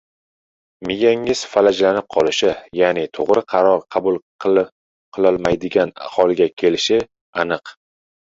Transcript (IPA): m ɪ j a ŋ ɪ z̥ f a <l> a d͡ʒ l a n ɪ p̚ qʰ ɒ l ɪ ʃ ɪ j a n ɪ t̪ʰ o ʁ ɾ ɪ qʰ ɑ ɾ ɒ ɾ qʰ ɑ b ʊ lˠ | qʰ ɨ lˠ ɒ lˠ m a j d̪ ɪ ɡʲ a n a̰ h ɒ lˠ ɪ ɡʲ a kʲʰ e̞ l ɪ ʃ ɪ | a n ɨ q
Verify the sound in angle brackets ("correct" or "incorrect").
correct